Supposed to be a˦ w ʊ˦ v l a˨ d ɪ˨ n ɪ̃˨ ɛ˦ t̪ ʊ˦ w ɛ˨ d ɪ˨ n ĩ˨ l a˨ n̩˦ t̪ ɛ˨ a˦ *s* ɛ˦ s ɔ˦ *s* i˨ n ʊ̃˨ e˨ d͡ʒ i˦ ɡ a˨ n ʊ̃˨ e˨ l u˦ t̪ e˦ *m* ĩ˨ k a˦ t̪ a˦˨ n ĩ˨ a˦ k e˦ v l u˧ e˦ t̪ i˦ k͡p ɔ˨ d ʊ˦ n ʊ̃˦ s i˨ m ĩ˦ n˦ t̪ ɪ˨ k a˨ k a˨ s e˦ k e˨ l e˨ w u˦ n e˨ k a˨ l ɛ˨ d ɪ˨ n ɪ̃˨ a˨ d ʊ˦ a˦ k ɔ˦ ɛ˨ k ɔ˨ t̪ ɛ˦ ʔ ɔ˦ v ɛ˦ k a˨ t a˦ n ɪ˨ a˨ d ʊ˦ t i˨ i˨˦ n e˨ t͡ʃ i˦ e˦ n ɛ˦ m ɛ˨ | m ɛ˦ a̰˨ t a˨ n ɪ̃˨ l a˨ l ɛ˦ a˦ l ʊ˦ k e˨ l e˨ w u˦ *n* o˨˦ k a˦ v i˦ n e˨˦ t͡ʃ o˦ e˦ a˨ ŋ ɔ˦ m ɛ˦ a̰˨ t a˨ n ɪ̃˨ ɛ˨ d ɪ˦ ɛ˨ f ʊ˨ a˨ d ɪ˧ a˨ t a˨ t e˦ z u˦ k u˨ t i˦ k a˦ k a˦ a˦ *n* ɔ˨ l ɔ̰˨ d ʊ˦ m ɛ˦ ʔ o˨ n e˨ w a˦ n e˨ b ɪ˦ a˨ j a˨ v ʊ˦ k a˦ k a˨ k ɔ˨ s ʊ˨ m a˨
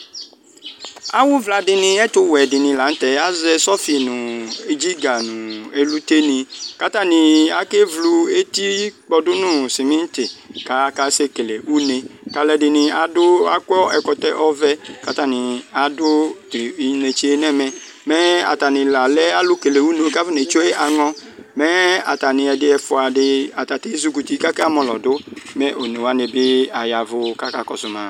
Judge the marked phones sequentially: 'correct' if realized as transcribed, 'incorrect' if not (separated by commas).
incorrect, incorrect, incorrect, correct, incorrect